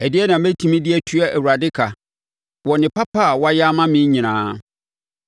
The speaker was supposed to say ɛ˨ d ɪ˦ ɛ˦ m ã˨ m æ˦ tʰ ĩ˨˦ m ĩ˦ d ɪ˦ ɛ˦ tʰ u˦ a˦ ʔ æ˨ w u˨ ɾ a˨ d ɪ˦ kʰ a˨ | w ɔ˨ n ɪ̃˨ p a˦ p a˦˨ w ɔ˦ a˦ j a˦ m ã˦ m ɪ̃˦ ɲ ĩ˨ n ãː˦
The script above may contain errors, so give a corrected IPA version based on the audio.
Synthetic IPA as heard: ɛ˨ d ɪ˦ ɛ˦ n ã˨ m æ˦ tʰ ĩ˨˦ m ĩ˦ d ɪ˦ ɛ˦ tʰ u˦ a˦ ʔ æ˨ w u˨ ɾ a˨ d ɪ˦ kʰ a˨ | w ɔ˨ n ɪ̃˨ p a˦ p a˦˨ w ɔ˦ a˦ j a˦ m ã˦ m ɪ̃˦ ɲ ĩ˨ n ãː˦